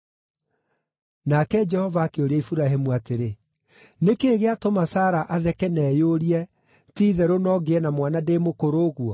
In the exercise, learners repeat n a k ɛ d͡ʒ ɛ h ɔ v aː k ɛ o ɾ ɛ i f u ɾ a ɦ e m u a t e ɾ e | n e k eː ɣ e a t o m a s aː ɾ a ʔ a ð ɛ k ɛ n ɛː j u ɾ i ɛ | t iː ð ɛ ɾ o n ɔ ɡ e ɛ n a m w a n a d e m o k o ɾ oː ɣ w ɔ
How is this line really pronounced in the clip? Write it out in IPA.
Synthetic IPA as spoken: n a k ɛ d͡ʒ ɛ h ɔ v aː k e o ɾ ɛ i f u ɾ a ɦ e m u a t e ɾ e | n e k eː ɣ e a t o m a s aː ɾ a ʔ a ð ɛ k ɛ n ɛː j o ɾ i ɛ | t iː ð ɛ ɾ o n ɔ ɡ e ɛ n a m w a n a d e m o k o ɾ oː ɣ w ɔ